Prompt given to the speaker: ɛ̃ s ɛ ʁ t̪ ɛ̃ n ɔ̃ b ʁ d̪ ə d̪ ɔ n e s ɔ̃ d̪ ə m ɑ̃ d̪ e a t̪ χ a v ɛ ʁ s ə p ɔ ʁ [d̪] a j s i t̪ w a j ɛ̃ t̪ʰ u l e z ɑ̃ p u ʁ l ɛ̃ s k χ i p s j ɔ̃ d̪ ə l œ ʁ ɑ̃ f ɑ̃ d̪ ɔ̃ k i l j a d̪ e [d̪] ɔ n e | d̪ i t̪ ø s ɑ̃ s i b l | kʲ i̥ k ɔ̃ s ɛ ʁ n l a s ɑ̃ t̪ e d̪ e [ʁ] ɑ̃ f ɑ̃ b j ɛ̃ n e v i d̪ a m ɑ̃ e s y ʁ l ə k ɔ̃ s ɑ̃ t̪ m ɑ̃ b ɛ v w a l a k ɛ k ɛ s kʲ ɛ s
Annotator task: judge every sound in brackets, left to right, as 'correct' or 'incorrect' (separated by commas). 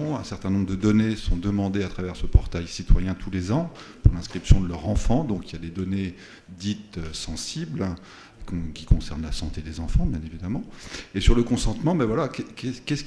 incorrect, correct, incorrect